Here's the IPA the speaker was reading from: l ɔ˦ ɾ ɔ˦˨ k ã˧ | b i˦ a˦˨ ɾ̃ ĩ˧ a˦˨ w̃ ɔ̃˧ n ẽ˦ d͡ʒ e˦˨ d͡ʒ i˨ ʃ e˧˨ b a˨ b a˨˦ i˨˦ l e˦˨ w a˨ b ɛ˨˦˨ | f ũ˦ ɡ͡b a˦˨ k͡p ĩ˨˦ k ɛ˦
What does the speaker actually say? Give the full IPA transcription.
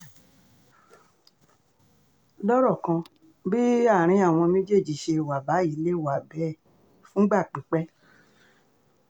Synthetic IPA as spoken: l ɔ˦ ɾ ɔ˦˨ k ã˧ | b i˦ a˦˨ ɾ̃ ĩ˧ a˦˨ w̃ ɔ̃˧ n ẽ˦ d͡ʒ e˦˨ d͡ʒ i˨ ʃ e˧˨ w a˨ b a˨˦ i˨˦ l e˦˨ w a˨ b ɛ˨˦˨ | f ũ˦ ɡ͡b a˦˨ k͡p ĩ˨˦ k͡p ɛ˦